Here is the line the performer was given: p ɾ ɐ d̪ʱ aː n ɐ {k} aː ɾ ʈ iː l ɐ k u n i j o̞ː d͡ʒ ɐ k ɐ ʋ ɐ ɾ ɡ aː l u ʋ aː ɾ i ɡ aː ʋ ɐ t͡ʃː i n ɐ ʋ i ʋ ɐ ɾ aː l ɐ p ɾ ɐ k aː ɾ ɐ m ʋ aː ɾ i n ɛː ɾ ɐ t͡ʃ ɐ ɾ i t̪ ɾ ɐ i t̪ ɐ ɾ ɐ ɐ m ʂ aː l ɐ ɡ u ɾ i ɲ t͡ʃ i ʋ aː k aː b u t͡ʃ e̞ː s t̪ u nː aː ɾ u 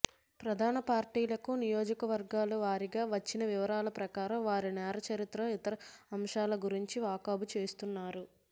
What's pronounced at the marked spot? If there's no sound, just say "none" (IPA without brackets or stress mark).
p